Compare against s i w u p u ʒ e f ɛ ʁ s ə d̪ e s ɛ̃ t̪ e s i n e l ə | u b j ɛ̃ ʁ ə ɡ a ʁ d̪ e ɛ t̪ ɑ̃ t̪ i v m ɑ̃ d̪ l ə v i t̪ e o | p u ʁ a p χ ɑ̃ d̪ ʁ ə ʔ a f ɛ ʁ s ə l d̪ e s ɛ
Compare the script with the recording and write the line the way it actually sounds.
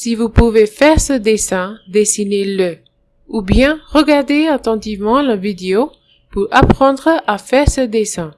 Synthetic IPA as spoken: s i v u p u v e f ɛ ʁ s ə d̪ e s ɛ̃ d̪ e s i n e l ə | u b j ɛ̃ ʁ ə ɡ a ʁ d̪ e a t̪ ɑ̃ t̪ i v m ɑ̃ l ə v i d̪ e o | p u ʁ a p χ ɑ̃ d̪ ʁ ə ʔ a f ɛ ʁ s ə d̪ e s ɛ̃